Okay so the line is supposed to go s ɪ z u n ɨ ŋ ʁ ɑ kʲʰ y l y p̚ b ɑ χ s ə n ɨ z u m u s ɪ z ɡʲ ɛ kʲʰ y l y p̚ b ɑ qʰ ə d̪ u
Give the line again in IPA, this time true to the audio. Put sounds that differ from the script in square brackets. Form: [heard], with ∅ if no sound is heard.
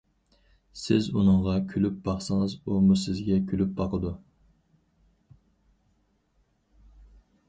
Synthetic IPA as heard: s ɪ z u n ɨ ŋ ʁ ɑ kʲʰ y l y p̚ b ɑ χ s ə [ŋ] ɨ z u m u s ɪ z ɡʲ ɛ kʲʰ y l y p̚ b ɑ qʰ ə d̪ u